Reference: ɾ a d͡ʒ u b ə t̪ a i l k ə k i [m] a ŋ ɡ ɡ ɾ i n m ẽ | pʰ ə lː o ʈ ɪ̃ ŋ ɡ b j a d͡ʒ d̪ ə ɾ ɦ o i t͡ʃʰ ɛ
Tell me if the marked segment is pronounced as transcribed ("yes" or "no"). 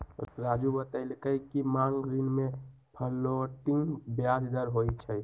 yes